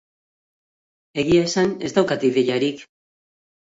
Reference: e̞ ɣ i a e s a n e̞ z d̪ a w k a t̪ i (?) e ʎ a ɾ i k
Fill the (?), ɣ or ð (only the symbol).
ð